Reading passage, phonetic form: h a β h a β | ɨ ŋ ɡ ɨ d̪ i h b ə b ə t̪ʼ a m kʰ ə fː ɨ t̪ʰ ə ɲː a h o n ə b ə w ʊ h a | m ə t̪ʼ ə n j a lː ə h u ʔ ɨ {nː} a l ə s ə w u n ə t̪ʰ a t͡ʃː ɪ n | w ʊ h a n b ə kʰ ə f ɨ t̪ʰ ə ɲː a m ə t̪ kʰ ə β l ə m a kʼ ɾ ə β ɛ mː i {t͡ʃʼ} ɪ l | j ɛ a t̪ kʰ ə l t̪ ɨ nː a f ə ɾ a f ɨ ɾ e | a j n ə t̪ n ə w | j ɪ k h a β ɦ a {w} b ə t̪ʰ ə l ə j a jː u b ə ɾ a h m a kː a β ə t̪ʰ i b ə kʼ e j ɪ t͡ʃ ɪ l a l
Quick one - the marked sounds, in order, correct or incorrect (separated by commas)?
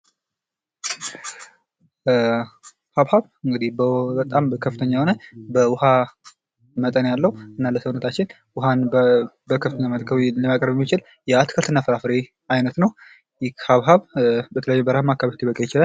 correct, incorrect, incorrect